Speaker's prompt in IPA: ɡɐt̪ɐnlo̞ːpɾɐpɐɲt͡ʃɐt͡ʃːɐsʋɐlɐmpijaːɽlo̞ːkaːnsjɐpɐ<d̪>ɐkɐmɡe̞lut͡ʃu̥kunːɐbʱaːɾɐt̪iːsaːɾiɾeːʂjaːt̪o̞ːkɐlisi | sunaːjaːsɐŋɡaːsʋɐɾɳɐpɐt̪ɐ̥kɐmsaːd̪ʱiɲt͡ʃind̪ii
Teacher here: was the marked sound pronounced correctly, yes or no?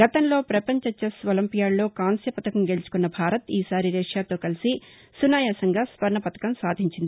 no